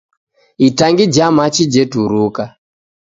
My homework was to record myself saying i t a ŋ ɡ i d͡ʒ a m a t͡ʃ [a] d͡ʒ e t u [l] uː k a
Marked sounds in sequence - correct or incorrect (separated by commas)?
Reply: incorrect, incorrect